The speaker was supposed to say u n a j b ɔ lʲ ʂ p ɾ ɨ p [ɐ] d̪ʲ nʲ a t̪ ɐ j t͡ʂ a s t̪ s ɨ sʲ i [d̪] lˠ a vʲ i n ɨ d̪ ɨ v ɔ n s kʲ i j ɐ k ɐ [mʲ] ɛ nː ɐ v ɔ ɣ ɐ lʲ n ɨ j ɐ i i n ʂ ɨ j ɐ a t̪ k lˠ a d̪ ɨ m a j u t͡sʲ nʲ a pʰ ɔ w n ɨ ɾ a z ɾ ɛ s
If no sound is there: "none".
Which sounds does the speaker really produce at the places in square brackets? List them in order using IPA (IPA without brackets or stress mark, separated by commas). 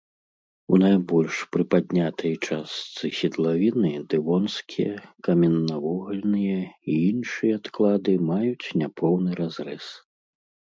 a, d̪, mʲ